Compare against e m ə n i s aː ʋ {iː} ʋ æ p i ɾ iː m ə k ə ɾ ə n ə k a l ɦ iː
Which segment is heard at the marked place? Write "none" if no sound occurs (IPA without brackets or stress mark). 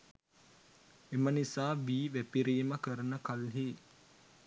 iː